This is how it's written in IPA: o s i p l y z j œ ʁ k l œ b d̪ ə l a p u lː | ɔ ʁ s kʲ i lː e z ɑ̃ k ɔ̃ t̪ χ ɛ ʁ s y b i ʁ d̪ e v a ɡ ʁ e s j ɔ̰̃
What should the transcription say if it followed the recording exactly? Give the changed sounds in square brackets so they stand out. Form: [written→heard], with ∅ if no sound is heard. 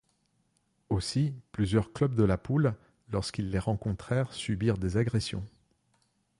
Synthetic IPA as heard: o s i p l y z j œ ʁ k l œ b d̪ ə l a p u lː | ɔ ʁ s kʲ i lː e [z→ʁ] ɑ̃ k ɔ̃ t̪ χ ɛ ʁ s y b i ʁ d̪ e [v→z] a ɡ ʁ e s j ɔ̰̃